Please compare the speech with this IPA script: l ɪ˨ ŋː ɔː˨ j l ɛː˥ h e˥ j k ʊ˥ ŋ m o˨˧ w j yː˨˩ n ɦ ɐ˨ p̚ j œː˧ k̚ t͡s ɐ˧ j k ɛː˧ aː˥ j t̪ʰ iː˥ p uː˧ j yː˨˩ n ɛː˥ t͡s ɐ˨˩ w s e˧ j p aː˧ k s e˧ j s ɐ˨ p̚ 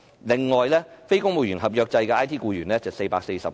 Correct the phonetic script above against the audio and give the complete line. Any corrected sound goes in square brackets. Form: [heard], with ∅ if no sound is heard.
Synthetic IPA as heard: l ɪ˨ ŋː ɔː˨ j l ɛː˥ [f] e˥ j k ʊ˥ ŋ m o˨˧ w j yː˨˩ n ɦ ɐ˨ p̚ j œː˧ k̚ t͡s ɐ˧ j k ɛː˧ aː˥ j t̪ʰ iː˥ [k] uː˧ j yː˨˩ n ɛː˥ t͡s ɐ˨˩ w s e˧ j p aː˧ k s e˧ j s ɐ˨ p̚